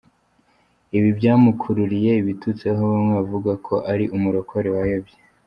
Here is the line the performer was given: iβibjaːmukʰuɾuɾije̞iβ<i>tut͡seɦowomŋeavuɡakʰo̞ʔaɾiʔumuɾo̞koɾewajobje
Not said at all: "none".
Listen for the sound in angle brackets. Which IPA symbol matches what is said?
i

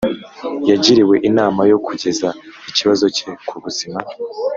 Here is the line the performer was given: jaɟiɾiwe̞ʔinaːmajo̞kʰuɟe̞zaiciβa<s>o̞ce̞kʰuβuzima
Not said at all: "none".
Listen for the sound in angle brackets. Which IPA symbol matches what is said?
z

